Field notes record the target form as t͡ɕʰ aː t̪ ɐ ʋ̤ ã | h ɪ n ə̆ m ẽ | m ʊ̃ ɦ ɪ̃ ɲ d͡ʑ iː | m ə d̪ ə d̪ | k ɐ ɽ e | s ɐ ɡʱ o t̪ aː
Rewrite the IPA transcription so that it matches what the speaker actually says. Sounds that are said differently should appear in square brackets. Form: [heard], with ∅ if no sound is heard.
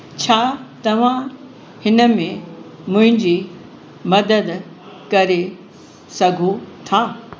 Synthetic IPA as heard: t͡ɕʰ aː t̪ ɐ ʋ̤ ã | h ɪ n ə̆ m ẽ | m ʊ̃ ɦ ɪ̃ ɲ d͡ʑ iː | m [ɐ] d̪ ə d̪ | k ɐ [ɾ] e | s ɐ ɡʱ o [t̪ʰ] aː